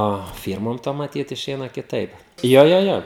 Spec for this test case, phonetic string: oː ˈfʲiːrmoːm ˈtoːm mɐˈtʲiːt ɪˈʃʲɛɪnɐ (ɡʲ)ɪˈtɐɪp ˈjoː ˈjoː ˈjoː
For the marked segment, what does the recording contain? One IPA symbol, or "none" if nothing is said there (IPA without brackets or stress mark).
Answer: kʲ